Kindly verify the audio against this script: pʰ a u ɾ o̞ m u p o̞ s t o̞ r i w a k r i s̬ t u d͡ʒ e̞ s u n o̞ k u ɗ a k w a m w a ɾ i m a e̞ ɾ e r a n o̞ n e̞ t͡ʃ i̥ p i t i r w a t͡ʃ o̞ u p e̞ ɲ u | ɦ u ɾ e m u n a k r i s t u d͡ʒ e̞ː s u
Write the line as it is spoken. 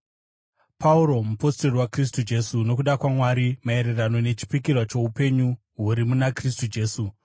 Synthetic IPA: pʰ a u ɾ o̞ m u p o̞ s t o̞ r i w a k r i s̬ t u d͡ʒ e̞ s u n o̞ k u ɗ a k w a m w a ɾ i m a e̞ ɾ e r a n o̞ n e̞ t͡ʃ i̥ p i k i r w a t͡ʃ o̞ u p e̞ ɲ u | ɦ u ɾ i m u n a k r i s t u d͡ʒ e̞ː s u